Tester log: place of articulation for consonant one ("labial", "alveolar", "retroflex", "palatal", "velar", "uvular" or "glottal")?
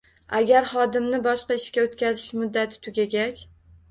velar